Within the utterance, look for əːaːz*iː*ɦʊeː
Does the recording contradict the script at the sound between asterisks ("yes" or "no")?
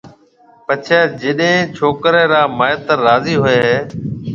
no